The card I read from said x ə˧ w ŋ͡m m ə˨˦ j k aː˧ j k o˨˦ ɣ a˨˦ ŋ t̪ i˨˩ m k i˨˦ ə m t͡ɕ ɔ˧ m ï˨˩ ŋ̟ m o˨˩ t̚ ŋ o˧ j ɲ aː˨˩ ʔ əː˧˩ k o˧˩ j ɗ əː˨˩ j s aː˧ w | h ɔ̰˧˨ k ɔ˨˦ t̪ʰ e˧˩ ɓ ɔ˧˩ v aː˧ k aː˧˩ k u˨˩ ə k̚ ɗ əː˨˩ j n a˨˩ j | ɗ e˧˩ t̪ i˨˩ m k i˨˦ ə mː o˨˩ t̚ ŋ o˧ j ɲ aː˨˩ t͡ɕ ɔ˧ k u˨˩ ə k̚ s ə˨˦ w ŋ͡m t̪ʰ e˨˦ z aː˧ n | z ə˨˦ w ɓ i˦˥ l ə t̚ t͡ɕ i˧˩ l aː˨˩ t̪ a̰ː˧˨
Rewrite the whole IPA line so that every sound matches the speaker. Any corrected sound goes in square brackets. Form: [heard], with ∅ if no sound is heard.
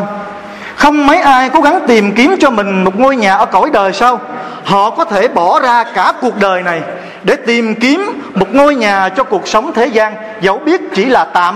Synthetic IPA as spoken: x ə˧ w ŋ͡m m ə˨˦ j [ʔ] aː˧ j k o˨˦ ɣ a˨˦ ŋ t̪ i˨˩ m k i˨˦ ə m t͡ɕ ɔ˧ m ï˨˩ ŋ̟ m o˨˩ t̚ ŋ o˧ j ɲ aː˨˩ ʔ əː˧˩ k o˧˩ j ɗ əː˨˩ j s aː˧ w | h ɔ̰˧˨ k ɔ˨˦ t̪ʰ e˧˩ ɓ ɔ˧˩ [z] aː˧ k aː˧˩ k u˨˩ ə k̚ ɗ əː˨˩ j n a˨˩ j | ɗ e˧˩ t̪ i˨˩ m k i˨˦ ə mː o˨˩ t̚ ŋ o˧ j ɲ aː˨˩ t͡ɕ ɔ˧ k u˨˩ ə k̚ s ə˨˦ w ŋ͡m t̪ʰ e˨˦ z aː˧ n | z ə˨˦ w ɓ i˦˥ [∅] ə t̚ t͡ɕ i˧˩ l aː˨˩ t̪ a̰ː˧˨